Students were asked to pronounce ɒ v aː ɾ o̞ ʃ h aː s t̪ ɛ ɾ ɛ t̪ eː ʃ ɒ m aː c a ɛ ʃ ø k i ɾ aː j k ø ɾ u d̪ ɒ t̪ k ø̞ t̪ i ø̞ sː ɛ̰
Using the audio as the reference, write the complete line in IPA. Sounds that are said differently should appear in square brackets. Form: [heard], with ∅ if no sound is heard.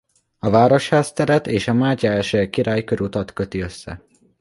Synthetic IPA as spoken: ɒ v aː ɾ o̞ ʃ h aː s t̪ ɛ ɾ ɛ t̪ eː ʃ ɒ m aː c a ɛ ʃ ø k i ɾ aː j k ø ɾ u [t̪] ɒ t̪ k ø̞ t̪ i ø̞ sː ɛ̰